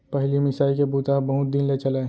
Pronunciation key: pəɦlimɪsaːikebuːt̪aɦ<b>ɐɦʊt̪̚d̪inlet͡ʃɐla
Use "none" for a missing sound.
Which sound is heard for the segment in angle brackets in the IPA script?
b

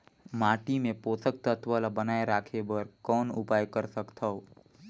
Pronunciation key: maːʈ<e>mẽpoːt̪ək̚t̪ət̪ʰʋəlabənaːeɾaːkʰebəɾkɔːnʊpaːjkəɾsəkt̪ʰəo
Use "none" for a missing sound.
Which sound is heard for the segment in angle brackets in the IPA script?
i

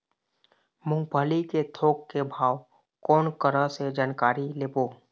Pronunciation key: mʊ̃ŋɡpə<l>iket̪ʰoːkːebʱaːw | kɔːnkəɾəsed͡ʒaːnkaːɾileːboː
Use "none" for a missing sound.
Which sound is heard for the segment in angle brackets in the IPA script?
l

